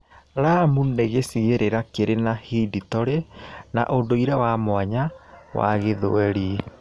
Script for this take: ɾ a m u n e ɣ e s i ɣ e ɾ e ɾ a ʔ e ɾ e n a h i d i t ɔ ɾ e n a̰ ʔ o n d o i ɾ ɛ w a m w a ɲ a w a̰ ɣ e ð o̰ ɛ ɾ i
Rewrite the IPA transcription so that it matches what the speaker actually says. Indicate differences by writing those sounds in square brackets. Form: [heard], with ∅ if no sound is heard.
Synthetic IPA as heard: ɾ a m u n e ɣ e s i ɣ e ɾ e ɾ a [k] e ɾ e n a h i d i t ɔ ɾ e n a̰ ʔ o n d o i ɾ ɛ w a m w a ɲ a w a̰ ɣ e ð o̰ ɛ ɾ i

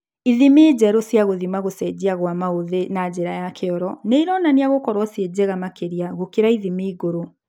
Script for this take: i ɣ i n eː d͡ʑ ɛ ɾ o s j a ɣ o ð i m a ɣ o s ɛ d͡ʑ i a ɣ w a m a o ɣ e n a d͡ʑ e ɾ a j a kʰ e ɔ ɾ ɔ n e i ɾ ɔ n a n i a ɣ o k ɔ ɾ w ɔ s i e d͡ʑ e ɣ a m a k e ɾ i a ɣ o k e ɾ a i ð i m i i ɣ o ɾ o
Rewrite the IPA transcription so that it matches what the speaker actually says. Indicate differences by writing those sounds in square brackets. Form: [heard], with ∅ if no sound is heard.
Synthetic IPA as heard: i [ð] i [m] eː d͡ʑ ɛ ɾ o s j a ɣ o ð i m a ɣ o s ɛ d͡ʑ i a ɣ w a m a o [ð] e n a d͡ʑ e ɾ a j a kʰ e ɔ ɾ ɔ n e i ɾ ɔ n a n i a ɣ o k ɔ ɾ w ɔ s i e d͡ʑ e ɣ a m a k e ɾ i a ɣ o k e ɾ a i ð i m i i ɣ o ɾ o

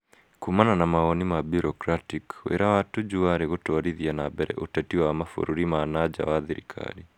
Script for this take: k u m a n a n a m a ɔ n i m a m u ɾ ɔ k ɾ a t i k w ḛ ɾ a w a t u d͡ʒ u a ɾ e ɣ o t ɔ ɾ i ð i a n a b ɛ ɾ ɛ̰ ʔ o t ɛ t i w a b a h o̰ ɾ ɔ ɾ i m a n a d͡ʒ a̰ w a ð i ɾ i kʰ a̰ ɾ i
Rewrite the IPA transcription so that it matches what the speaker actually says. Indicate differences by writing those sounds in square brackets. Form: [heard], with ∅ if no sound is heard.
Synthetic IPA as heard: k u m a n a n a m a ɔ n i m a [b] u ɾ ɔ k ɾ a t i k w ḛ ɾ a w a t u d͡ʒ u a ɾ e ɣ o t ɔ ɾ i ð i a n a b ɛ ɾ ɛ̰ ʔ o t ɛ t i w a [m] a [f] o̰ ɾ [u] ɾ i m a n a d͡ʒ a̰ w a ð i ɾ i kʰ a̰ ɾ i

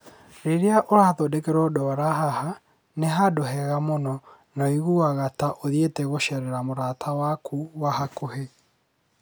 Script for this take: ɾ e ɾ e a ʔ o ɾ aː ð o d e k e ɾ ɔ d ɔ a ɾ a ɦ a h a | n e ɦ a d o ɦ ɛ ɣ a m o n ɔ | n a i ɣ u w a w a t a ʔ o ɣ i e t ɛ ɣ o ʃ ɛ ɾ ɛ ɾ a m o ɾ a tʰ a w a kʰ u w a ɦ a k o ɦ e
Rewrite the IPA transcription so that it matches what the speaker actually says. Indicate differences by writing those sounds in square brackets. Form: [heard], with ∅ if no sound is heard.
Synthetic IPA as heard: ɾ e ɾ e a ʔ o ɾ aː ð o d e k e ɾ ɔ d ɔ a ɾ a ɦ a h a | n e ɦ a d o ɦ ɛ ɣ a m o n ɔ | n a i ɣ u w a [ɣ] a t a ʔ o [ð] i e t ɛ ɣ o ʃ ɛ ɾ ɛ ɾ a m o ɾ a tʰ a w a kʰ u w a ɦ a k o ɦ e

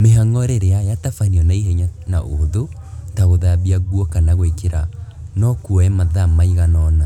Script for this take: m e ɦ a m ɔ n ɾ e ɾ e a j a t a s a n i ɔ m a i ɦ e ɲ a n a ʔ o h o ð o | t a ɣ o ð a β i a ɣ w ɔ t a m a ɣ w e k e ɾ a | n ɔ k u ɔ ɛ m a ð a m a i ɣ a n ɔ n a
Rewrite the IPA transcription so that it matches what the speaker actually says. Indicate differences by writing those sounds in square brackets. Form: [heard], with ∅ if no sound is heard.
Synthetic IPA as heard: m e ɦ a [ŋ] ɔ [∅] ɾ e ɾ e a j a t a [f] a n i ɔ [n] a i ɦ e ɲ a n a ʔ o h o ð o | t a ɣ o ð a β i a ɣ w ɔ [k] a [n] a ɣ w e k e ɾ a | n ɔ k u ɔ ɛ m a ð a m a i ɣ a n ɔ n a

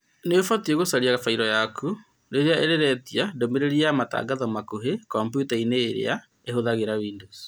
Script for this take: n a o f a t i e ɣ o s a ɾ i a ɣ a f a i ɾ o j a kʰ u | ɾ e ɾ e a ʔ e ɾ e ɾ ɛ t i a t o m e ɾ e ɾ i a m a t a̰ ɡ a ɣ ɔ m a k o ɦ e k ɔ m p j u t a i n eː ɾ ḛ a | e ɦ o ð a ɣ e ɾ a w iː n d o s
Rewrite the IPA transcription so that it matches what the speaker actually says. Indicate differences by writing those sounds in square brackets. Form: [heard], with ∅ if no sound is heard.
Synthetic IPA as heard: n [e] o f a t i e ɣ o s a ɾ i a ɣ a f a i ɾ [ɔ] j a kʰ u | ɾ e ɾ e a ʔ e ɾ e ɾ ɛ t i a [d] o m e ɾ e ɾ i a m a t a̰ ɡ a [ð] ɔ m a k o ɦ e k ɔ m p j u t a i n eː ɾ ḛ a | e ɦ o ð a ɣ e ɾ a w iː n d o s

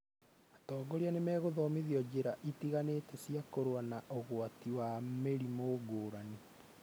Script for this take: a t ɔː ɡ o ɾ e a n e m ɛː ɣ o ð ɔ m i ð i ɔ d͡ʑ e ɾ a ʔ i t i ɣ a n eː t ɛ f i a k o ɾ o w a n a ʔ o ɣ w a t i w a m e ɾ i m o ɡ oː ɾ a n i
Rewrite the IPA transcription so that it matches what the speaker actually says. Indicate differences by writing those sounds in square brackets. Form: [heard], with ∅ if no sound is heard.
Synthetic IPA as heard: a t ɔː ɡ o ɾ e a n e m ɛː ɣ o ð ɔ m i ð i ɔ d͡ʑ e ɾ a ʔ i t i ɣ a n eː t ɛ [s] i a k o ɾ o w a n a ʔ o ɣ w a t i w a m e ɾ i m o ɡ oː ɾ a n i

